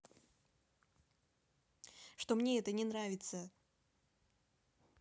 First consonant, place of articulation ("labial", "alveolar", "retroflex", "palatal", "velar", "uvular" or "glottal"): retroflex